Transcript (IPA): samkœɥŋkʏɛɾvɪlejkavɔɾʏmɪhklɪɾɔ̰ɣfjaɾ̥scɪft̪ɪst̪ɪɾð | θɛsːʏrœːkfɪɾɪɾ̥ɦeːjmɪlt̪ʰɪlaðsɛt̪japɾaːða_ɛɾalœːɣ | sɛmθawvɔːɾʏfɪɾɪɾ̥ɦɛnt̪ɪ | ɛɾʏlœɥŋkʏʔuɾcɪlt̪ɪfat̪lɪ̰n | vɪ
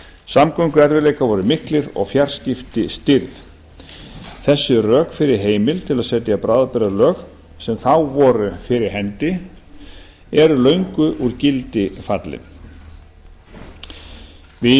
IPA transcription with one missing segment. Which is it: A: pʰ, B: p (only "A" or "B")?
B